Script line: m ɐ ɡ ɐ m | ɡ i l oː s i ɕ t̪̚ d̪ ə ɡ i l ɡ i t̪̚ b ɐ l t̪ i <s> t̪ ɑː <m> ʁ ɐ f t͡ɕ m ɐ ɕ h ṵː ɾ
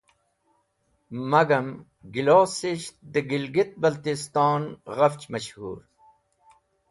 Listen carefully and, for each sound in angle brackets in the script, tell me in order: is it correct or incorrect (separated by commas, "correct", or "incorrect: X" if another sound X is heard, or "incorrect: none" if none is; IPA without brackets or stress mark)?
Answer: correct, incorrect: n